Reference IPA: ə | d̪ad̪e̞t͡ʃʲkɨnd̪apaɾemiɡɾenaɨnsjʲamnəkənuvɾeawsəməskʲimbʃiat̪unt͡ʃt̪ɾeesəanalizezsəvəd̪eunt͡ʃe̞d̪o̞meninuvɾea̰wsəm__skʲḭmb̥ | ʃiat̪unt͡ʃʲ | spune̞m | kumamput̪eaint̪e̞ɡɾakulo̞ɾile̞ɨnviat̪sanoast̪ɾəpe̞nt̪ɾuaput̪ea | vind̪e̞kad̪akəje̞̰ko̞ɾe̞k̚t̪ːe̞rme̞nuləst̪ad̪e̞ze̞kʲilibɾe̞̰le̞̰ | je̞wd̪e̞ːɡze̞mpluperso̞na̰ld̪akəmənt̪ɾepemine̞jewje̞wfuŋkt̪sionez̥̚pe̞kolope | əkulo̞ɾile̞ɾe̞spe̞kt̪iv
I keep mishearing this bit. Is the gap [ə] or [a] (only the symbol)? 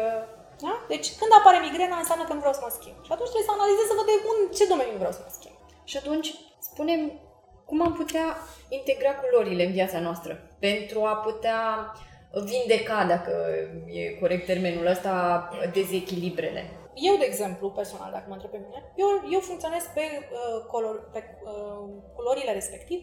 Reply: ə